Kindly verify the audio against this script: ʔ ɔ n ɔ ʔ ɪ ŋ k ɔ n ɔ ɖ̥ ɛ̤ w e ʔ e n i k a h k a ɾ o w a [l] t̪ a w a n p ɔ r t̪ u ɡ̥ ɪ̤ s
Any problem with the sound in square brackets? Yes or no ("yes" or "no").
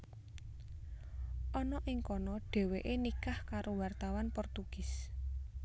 yes